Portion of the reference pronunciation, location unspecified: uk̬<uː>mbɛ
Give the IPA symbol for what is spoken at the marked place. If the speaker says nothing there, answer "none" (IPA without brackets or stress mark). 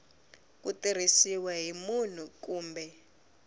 uː